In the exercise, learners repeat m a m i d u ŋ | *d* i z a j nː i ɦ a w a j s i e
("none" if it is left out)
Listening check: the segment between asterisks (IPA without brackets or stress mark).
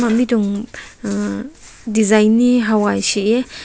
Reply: d